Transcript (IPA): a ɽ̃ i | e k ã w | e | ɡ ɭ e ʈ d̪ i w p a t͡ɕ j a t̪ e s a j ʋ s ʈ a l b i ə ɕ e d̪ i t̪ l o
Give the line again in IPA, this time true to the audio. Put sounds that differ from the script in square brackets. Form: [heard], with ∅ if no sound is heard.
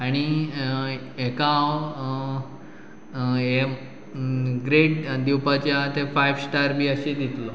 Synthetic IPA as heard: a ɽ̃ i | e k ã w | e | ɡ [ɾ] e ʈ d̪ i w p a t͡ɕ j a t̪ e [f] a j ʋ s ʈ a [ɾ] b i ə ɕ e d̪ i t̪ l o